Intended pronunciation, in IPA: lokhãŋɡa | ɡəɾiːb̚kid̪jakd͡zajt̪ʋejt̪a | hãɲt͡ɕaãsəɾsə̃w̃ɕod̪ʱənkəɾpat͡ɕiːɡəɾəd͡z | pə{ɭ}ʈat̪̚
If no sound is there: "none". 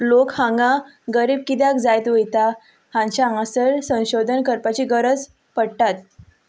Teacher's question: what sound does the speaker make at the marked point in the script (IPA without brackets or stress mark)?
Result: ɽ